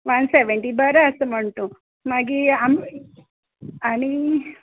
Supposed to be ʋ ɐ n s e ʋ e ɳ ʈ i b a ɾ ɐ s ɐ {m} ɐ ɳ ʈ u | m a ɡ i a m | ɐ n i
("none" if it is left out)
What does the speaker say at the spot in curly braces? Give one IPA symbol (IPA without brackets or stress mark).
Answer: m